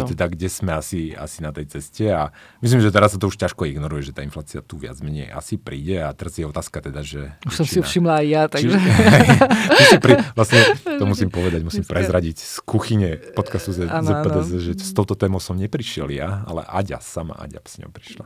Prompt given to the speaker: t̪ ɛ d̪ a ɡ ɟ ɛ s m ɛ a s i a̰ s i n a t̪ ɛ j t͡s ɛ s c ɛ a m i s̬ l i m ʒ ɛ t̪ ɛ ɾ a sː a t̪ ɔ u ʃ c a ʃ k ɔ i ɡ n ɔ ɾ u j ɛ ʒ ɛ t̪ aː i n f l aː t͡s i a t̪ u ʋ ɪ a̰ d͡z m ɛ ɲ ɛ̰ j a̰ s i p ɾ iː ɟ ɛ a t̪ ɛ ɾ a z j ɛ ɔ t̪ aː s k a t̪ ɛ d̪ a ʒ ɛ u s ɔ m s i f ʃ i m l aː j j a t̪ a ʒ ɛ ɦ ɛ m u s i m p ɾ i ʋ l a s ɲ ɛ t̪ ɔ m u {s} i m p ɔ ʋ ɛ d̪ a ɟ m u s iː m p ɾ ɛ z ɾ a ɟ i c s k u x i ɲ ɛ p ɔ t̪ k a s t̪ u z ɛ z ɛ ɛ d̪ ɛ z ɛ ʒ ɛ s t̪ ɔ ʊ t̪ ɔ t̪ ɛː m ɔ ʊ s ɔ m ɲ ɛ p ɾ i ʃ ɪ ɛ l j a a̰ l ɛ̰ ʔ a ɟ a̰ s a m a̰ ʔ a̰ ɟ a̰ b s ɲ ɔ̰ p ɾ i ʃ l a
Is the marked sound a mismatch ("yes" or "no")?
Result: no